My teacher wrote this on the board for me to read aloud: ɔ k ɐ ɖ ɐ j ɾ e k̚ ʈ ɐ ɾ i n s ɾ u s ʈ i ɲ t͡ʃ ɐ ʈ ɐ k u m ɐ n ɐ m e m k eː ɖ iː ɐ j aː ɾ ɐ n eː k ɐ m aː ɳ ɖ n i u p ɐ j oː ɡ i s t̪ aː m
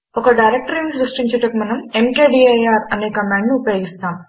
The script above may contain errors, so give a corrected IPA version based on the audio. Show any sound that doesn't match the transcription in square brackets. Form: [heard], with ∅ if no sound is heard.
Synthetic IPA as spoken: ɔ k ɐ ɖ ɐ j ɾ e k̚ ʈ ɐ ɾ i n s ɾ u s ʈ i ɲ t͡ʃ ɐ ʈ ɐ k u m ɐ n ɐ m e m k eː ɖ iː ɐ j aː ɾ ɐ n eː k ɐ m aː ɳ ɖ n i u p ɐ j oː ɡ i s t̪ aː m